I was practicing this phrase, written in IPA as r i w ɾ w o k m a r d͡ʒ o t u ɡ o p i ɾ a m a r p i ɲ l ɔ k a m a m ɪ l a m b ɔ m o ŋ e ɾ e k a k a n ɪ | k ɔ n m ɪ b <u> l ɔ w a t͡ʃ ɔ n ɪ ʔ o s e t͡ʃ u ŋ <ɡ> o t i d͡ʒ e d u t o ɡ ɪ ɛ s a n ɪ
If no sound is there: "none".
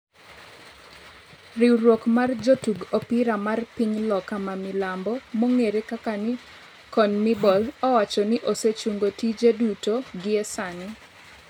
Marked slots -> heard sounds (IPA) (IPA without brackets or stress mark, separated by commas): ɔ, ɡ